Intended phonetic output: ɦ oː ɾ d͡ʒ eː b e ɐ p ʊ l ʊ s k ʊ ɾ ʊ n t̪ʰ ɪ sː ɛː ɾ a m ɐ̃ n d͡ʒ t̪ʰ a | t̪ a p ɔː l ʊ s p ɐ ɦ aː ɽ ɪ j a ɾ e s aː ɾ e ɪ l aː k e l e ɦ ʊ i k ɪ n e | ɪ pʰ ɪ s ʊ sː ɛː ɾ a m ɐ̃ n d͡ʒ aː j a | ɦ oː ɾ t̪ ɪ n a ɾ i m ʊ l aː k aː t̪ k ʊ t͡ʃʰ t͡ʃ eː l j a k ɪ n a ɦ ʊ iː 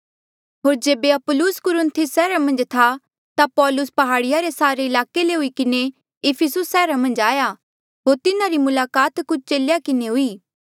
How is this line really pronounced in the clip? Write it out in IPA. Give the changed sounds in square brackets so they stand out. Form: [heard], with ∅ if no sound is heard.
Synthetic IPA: ɦ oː ɾ d͡ʒ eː b e ɐ p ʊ l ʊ s k ʊ ɾ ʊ n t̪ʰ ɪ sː ɛː ɾ a m ɐ̃ n d͡ʒ t̪ʰ a | t̪ a p ɔː l ʊ s p ɐ ɦ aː ɽ ɪ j a ɾ e s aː ɾ e ɪ l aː k e l e ɦ ʊ i k ɪ n e | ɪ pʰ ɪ s ʊ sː ɛː ɾ a m ɐ̃ n d͡ʒ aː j a | ɦ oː ɾ t̪ ɪ n a ɾ i m ʊ l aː k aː t̪ k ʊ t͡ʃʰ t͡ʃ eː l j a k ɪ n [e] ɦ ʊ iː